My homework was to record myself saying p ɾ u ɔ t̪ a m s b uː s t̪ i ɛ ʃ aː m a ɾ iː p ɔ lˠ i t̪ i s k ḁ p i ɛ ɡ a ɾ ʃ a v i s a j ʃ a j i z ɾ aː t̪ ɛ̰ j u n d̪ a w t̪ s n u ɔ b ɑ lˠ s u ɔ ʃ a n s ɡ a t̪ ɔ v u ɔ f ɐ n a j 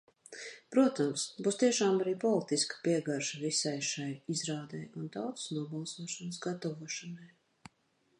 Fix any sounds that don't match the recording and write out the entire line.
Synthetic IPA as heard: p ɾ u ɔ t̪ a m s b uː s t̪ i ɛ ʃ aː m a ɾ iː p ɔ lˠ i t̪ i s k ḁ p i ɛ ɡ a ɾ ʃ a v i s a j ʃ a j i z ɾ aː d̪ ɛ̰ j u n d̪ a w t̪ s n u ɔ b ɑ lˠ s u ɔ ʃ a n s ɡ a t̪ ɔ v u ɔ ʃ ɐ n a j